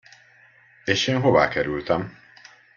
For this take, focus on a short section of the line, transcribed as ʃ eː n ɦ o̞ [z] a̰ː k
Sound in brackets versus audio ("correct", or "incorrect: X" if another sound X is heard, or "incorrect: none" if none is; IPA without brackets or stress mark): incorrect: v